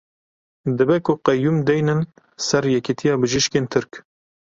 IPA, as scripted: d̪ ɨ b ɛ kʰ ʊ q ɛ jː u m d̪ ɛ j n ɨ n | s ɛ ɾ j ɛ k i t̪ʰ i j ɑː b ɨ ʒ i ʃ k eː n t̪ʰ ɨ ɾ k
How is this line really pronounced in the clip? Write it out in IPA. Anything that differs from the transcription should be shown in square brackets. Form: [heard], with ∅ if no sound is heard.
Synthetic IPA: d̪ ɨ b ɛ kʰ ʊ q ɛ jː u m d̪ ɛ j n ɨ n | s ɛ ɾ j ɛ k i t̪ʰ i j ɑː b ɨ ʒ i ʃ k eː n t̪ʰ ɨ ɾ k